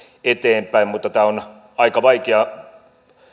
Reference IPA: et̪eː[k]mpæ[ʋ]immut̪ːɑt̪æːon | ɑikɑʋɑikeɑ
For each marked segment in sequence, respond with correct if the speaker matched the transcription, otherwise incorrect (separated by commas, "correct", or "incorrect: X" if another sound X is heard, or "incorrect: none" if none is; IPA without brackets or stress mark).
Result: incorrect: none, incorrect: none